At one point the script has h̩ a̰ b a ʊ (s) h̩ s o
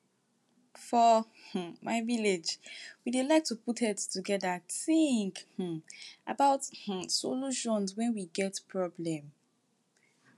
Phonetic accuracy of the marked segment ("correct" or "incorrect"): incorrect